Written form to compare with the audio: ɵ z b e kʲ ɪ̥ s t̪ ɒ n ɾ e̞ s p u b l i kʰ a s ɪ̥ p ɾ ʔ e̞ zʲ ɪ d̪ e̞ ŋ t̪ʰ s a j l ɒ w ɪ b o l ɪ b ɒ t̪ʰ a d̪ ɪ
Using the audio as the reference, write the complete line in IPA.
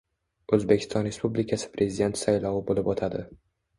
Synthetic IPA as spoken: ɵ z b e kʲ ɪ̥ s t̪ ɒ n ɾ e̞ s p u b l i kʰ a s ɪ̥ p ɾ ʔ e̞ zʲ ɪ d̪ e̞ n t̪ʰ s a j l ɒ w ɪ b o l ɪ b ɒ t̪ʰ a d̪ ɪ

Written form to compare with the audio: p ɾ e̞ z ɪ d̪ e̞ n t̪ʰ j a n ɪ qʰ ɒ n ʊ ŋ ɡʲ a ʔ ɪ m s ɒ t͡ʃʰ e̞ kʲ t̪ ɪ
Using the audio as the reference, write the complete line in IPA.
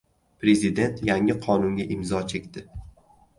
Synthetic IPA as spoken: p ɾ e̞ z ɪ d̪ e̞ n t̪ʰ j a ŋ ɪ qʰ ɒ n ʊ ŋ ɡʲ a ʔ ɪ m z ɒ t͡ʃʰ e̞ kʲ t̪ ɪ

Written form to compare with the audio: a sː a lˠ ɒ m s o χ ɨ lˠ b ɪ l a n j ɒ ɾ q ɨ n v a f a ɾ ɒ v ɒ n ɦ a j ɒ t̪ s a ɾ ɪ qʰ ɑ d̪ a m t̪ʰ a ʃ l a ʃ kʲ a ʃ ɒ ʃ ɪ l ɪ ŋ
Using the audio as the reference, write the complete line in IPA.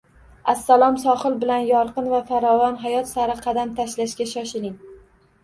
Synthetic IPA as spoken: a sː a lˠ ɒ m s ɒ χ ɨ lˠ b ɪ l a n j ɒ ɾ q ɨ n v a f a ɾ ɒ v ɒ n ɦ a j ɒ t̪ s a ɾ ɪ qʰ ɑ d̪ a m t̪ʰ a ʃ l a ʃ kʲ a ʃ ɒ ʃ ɪ l ɪ ŋ

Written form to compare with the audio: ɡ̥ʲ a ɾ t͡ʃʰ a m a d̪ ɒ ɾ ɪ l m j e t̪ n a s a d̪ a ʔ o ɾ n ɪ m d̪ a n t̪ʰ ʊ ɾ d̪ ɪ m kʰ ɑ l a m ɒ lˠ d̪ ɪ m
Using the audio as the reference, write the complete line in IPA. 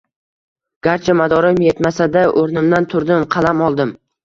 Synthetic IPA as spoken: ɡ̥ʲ a ɾ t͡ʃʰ a m a d̪ ɒ ɾ ɪ m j e t̪ m a s a d̪ a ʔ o ɾ n ɪ m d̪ a n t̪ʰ ʊ ɾ d̪ ɪ m qʰ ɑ l a m ɒ lˠ d̪ ɪ m

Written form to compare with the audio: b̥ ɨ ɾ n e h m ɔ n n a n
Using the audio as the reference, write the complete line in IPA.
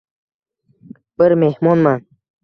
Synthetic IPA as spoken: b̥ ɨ ɾ m e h m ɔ n m a n

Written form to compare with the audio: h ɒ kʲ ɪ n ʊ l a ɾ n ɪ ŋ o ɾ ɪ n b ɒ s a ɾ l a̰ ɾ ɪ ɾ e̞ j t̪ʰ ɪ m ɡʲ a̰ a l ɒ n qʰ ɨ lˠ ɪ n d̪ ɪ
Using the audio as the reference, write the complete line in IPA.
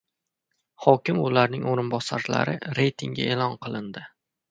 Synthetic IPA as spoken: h ɒ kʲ ɪ m ʊ l a ɾ n ɪ ŋ o ɾ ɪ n b ɒ s a ɾ l a̰ ɾ ɪ ɾ e̞ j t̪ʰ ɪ ŋ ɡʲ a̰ e l ɒ n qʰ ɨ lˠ ɪ n d̪ ɪ

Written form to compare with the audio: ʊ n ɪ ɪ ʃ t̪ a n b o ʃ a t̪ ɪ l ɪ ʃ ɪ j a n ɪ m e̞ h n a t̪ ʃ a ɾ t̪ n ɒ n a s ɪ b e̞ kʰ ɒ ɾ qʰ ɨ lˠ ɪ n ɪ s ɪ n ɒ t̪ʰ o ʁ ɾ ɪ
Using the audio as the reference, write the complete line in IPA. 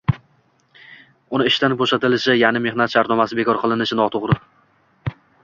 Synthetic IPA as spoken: ʊ n ɪ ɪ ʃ t̪ a n b o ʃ a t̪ ɪ l ɪ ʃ ɪ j a n ɪ m e̞ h n a t̪ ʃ a ɾ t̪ n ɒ m a s ɪ b e̞ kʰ ɒ ɾ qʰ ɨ lˠ ɪ n ɪ ʃ ɪ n ɒ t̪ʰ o ʁ ɾ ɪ

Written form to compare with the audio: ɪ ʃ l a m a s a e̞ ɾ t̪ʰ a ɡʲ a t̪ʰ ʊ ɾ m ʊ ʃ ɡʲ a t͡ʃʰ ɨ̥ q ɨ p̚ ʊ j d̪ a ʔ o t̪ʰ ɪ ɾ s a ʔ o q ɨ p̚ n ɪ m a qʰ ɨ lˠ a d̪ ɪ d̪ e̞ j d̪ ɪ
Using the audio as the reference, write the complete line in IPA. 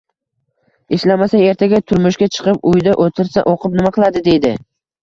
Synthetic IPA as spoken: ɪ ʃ l a m a s a e̞ ɾ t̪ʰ a ɡʲ a t̪ʰ ʊ ɾ m ʊ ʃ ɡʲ a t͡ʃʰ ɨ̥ q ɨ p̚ ʊ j d̪ a ʔ o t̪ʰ ɪ ɾ s a ʔ o q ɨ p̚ n ɪ m a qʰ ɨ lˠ a d̪ ɪ d̪ e̞ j d̪ ɪ

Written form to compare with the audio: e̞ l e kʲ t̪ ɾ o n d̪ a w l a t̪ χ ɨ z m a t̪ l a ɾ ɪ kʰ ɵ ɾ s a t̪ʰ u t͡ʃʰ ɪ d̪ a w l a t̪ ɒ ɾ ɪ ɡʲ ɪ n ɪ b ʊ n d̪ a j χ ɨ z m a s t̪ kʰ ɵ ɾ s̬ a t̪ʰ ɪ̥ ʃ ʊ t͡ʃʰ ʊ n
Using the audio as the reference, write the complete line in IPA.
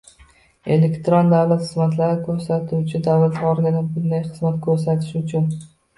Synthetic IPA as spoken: e̞ l e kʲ t̪ ɾ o n d̪ a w l a t̪ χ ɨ z m a t̪ l a ɾ ɪ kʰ ɵ ɾ s a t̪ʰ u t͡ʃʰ ɪ d̪ a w l a t̪ ɒ ɾ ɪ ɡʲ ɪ n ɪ b ʊ n d̪ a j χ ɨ z m a t̪ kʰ ɵ ɾ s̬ a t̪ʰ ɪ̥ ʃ ʊ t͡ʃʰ ʊ n

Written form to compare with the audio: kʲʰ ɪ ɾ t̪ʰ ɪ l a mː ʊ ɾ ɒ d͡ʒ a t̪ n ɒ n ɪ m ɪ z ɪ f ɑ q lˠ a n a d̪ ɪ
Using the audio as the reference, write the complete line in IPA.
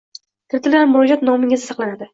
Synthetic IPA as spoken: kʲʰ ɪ ɾ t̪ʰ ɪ l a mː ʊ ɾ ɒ d͡ʒ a t̪ n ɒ m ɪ ŋ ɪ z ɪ s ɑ q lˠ a n a d̪ ɪ

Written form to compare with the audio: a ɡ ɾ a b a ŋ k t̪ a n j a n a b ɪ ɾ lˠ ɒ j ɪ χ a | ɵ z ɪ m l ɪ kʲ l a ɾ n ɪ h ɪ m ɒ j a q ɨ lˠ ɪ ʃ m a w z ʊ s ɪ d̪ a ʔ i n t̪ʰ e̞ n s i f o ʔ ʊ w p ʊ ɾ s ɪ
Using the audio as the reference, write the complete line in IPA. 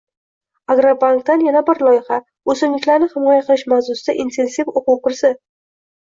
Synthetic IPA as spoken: a ɡ ɾ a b a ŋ k t̪ a n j a n a b ɪ ɾ lˠ ɒ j ɪ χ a | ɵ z ɪ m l ɪ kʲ l a ɾ n ɪ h ɪ m ɒ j a q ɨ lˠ ɪ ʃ m a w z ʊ s ɪ d̪ a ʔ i n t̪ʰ e̞ n s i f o q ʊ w q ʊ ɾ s ɪ

